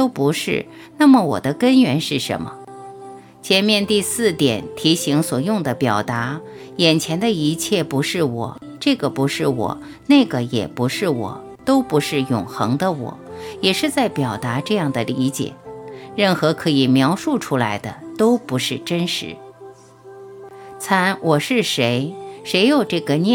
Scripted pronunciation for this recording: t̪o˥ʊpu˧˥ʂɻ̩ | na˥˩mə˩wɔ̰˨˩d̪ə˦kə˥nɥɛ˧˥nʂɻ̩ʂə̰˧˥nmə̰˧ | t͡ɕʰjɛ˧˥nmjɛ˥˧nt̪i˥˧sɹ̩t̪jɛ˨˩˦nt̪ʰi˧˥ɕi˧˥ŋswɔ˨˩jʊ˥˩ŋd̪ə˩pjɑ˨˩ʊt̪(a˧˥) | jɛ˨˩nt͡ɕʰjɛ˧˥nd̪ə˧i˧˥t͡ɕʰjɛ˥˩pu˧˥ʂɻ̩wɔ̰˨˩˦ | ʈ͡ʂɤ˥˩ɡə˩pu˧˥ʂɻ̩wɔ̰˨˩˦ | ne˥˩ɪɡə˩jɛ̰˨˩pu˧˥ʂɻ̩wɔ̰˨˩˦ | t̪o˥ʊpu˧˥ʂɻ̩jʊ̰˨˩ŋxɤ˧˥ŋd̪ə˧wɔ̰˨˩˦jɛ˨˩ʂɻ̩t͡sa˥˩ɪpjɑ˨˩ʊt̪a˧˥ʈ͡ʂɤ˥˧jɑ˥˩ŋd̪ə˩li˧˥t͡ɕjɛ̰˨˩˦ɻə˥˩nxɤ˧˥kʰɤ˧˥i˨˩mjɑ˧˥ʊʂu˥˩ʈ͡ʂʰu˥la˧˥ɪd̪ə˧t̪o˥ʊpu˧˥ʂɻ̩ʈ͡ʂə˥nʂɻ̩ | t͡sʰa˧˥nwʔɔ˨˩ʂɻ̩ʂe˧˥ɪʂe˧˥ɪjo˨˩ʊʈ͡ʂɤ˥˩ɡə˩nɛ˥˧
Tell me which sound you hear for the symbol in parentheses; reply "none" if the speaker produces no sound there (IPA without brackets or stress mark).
a˧˥